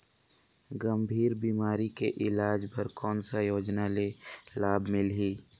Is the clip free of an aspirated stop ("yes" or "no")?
yes